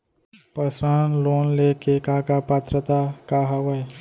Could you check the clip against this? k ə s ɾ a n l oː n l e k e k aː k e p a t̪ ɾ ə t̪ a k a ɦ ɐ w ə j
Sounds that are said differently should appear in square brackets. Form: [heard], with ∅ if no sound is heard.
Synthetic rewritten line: [p] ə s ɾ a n l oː n l e k e k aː k [a] p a t̪ ɾ ə t̪ a k a ɦ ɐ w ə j